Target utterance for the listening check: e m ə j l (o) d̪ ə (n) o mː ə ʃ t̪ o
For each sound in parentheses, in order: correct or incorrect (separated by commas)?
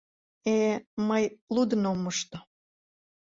incorrect, correct